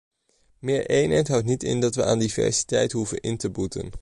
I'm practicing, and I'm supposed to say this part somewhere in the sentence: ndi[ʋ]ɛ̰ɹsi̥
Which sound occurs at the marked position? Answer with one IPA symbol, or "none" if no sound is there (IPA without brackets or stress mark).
v